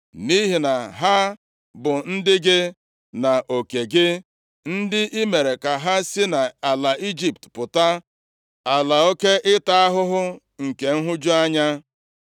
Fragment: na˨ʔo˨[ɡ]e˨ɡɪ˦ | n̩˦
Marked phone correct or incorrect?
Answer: incorrect